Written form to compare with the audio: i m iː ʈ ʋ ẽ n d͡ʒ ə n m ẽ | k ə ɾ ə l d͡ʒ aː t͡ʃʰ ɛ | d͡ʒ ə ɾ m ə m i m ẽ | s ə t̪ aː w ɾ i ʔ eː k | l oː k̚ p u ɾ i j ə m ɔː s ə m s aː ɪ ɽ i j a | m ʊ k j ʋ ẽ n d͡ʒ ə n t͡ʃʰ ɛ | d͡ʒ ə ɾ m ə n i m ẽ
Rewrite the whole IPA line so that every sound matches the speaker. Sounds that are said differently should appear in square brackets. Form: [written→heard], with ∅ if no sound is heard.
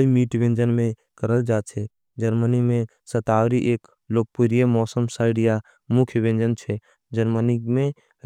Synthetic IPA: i m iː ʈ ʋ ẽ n d͡ʒ ə n m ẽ | k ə ɾ ə l d͡ʒ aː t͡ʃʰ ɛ | d͡ʒ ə ɾ m ə [m→n] i m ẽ | s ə t̪ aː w ɾ i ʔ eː k | l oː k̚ p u ɾ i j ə m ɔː s ə m s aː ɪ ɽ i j a | m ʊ [k→kʰ] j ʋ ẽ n d͡ʒ ə n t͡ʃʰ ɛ | d͡ʒ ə ɾ m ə n i m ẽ